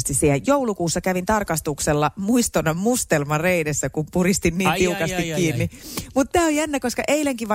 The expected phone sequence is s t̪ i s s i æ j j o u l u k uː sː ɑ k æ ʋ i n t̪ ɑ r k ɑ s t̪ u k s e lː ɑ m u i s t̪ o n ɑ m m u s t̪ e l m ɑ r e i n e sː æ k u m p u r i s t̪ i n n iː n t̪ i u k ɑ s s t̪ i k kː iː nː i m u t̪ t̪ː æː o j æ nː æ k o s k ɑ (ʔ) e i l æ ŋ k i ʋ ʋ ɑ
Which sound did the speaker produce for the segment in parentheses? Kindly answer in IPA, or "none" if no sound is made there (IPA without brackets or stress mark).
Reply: ʔ